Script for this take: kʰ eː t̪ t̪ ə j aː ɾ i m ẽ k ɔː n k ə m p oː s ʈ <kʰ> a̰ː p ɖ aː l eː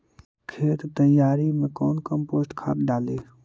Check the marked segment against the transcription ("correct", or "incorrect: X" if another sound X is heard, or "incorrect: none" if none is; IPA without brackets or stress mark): correct